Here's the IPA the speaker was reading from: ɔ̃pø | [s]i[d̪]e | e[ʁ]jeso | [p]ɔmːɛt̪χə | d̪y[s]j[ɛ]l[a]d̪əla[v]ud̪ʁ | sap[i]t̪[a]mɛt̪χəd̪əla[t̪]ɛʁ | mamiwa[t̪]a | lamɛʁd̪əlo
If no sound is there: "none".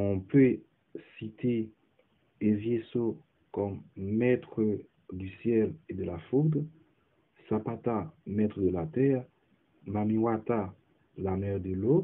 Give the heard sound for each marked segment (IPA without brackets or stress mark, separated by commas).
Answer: s, t̪, v, k, s, ɛ, e, f, a, a, t̪, t̪